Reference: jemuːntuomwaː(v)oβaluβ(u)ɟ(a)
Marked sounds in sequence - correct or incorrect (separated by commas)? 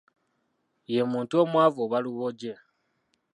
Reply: correct, incorrect, incorrect